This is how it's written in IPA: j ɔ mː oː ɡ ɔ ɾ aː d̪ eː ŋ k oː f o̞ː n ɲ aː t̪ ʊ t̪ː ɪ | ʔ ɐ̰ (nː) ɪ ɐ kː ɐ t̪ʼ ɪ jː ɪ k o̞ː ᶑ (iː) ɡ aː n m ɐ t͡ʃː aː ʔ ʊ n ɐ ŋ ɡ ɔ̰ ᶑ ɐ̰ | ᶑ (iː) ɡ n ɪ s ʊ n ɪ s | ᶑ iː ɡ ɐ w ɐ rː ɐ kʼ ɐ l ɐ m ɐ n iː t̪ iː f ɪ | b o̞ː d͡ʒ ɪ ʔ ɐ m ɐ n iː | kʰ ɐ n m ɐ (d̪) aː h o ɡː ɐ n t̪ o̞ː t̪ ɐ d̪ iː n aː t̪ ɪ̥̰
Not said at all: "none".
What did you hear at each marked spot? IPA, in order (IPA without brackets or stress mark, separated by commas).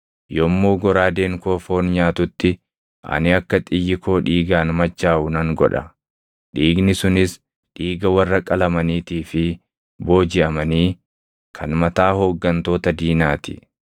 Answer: n, iː, iː, t̪